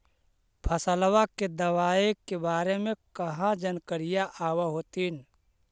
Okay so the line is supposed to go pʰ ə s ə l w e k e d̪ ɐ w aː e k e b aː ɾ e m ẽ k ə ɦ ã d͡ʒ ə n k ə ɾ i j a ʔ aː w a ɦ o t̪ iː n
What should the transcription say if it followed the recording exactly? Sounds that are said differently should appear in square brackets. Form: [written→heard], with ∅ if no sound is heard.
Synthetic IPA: pʰ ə s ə l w [e→a] k e d̪ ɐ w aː e k e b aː ɾ e m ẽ k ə ɦ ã d͡ʒ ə n k ə ɾ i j a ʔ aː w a ɦ o t̪ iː n